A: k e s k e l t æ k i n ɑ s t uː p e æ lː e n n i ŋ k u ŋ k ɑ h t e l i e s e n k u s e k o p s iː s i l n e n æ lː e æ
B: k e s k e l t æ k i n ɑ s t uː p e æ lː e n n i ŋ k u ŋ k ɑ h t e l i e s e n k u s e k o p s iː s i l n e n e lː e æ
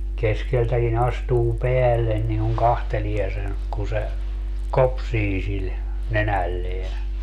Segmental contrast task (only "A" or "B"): A